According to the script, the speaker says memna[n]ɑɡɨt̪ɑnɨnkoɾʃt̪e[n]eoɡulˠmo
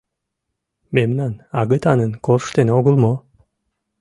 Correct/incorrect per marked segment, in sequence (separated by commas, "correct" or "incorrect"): correct, correct